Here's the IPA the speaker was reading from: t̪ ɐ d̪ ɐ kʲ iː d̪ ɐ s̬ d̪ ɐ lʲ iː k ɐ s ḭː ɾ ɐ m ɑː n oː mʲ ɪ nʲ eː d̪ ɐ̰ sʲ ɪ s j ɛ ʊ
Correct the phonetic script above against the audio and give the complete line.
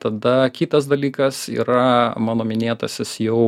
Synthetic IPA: t̪ ɐ d̪ ɐ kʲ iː t̪ ɐ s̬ d̪ ɐ lʲ iː k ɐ s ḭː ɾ ɐ m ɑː n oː mʲ ɪ nʲ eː t̪ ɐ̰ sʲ ɪ s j ɛ ʊ